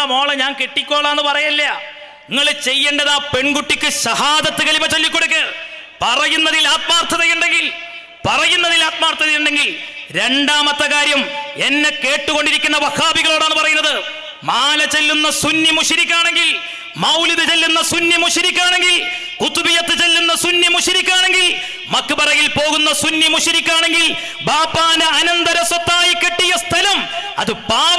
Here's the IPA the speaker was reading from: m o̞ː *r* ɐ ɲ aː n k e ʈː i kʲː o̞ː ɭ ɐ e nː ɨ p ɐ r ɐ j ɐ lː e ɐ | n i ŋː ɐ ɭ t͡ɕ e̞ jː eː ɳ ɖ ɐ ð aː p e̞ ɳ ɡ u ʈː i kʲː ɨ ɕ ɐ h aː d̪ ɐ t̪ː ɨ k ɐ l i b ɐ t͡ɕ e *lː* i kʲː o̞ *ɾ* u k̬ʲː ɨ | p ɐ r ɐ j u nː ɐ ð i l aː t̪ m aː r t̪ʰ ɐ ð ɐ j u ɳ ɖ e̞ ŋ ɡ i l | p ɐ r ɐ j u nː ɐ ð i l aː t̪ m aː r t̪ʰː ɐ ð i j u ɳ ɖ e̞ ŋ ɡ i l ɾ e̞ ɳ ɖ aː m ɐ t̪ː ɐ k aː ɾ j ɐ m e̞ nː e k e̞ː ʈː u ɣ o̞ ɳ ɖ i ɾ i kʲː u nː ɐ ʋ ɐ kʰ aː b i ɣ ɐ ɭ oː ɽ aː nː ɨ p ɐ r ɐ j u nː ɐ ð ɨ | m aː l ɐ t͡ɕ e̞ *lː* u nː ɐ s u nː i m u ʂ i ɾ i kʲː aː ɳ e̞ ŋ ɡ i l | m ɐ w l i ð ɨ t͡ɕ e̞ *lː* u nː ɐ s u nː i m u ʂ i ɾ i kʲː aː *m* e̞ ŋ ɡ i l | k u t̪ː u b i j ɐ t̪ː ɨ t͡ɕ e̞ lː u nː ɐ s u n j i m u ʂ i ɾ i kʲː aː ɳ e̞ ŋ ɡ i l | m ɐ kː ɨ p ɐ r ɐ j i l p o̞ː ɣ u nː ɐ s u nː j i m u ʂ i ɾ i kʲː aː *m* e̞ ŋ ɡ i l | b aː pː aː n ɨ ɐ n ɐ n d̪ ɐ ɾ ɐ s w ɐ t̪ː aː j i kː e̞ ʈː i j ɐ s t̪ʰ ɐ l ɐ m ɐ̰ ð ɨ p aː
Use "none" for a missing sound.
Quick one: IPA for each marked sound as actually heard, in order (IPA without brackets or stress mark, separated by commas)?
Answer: ɭ, lː, ɽ, lː, lː, ɳ, ɳ